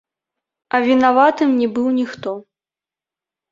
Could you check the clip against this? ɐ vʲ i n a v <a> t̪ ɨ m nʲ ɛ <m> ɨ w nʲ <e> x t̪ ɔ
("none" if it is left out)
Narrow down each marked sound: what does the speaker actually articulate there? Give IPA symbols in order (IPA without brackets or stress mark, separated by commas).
a, b, i